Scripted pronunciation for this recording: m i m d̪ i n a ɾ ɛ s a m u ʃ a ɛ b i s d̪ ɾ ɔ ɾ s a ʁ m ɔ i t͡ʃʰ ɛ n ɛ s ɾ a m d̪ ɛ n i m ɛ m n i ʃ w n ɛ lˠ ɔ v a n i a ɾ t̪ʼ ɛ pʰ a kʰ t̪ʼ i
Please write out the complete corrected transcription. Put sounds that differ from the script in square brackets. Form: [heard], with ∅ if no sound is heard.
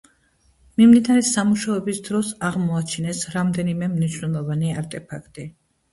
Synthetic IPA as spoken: m i m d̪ i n a ɾ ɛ s a m u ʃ a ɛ b i s d̪ ɾ ɔ [∅] s a ʁ m ɔ [a] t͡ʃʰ [i] n ɛ s ɾ a m d̪ ɛ n i m ɛ m n i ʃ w n ɛ lˠ ɔ v a n i a ɾ t̪ʼ ɛ pʰ a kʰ t̪ʼ i